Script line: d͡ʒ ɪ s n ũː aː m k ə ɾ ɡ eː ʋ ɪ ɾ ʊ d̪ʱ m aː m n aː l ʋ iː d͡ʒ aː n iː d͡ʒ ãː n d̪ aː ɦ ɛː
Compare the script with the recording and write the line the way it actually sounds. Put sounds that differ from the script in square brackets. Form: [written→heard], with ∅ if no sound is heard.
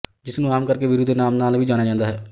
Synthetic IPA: d͡ʒ ɪ s n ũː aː m k ə ɾ [ɡ→k] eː ʋ ɪ ɾ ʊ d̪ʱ [m→n] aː m n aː l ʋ iː d͡ʒ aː n [iː→aː] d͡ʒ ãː n d̪ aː ɦ ɛː